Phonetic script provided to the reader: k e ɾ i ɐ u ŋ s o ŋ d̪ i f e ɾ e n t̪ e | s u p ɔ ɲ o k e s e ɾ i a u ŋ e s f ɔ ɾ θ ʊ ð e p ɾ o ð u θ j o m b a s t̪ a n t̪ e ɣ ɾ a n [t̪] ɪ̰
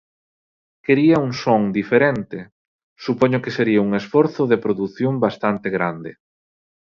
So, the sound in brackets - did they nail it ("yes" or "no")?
no